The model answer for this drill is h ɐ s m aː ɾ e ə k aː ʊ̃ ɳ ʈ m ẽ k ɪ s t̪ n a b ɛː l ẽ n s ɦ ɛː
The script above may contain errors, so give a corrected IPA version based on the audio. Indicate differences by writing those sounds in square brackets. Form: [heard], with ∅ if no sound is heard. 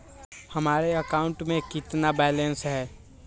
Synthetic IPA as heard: h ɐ [∅] m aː ɾ e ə k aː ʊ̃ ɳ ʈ m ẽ k ɪ [∅] t̪ n a b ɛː l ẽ n s ɦ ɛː